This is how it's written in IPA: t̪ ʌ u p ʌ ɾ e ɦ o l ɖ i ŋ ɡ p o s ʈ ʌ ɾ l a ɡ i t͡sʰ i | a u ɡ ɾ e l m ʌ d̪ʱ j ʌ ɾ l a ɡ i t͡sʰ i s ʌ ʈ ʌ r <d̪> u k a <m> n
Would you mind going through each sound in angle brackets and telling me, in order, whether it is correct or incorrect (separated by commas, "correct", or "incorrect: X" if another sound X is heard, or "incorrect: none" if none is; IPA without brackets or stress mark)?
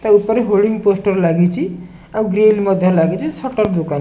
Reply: correct, incorrect: none